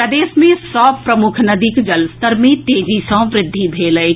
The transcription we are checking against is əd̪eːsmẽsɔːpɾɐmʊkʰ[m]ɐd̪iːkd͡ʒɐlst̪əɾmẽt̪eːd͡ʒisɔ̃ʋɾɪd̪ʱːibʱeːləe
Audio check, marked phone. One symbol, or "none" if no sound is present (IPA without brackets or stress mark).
n